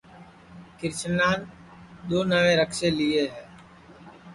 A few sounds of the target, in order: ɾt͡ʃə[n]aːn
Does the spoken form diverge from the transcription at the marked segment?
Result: no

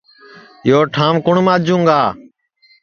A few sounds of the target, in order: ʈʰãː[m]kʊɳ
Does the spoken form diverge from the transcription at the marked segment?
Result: no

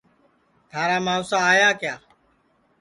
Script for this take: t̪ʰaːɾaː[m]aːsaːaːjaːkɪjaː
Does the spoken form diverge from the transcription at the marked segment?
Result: no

